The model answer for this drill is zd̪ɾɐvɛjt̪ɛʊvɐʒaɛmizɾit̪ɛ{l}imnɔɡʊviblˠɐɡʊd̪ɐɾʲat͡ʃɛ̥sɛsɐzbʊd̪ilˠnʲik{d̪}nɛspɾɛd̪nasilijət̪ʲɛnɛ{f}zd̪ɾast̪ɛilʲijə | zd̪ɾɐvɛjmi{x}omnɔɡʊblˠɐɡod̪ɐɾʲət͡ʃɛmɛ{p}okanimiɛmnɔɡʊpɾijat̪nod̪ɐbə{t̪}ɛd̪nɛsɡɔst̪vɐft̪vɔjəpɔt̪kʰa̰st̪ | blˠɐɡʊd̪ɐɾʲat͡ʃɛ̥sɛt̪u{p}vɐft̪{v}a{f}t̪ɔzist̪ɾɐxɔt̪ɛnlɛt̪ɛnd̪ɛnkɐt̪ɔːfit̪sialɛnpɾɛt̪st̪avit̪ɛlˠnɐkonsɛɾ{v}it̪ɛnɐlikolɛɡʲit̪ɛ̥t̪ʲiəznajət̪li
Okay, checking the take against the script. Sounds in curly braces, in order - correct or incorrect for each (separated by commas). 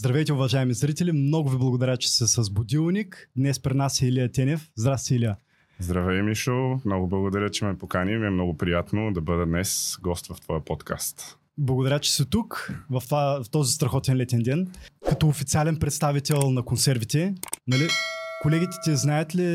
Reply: correct, correct, correct, incorrect, correct, incorrect, incorrect, correct, correct, correct